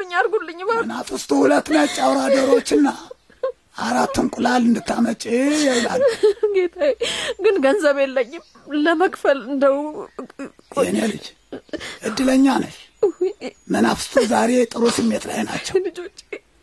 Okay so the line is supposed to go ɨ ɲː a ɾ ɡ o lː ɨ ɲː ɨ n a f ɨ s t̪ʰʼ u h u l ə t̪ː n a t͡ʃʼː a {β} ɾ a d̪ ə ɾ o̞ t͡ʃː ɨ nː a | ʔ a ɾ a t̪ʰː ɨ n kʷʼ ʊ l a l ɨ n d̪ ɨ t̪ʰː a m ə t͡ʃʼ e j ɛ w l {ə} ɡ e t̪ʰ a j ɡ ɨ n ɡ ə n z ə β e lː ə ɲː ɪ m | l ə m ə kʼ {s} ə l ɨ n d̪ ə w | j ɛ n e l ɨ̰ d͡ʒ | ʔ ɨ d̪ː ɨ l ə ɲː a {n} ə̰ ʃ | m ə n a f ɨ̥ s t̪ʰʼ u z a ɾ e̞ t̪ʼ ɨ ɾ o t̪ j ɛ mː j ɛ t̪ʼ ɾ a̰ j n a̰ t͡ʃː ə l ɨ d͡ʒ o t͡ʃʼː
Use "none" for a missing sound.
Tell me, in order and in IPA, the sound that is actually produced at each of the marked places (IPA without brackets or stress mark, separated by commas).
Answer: w, a, f, n